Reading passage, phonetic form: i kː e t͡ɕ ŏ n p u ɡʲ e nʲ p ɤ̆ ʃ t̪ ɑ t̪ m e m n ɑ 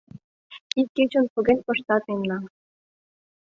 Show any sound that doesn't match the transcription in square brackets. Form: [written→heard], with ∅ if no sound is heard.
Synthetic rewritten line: i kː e t͡ɕ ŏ n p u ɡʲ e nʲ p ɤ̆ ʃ t̪ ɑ t̪ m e m n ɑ